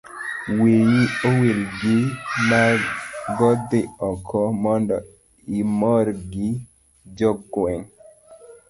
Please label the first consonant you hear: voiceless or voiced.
voiced